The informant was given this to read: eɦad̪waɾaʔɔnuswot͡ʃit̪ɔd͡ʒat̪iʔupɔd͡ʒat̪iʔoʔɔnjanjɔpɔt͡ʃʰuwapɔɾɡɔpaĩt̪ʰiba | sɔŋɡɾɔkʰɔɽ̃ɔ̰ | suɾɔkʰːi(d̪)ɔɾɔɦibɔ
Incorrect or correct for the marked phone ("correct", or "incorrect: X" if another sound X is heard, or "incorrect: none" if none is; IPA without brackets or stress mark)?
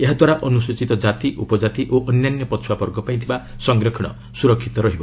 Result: incorrect: t̪